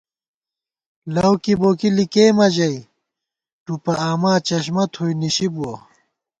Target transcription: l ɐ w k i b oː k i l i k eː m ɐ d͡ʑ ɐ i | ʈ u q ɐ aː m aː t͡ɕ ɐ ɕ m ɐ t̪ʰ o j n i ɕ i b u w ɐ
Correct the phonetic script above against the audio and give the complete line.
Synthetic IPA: l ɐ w k i b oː k i l i k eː m ɐ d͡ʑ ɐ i | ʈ u p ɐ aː m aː t͡ɕ ɐ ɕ m ɐ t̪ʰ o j n i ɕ i b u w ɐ